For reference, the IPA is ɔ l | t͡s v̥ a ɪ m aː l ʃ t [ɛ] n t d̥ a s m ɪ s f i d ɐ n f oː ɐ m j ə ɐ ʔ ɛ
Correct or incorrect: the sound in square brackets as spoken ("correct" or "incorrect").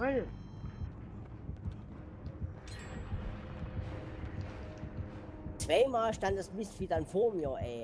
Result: incorrect